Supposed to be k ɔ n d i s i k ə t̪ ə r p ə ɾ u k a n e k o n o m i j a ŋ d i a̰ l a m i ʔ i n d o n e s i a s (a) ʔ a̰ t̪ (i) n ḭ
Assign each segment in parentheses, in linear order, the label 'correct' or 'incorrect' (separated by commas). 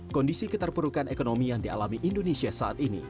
correct, correct